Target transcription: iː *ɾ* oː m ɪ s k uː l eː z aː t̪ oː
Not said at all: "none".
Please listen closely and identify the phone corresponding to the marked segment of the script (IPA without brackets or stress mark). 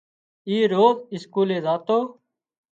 ɾ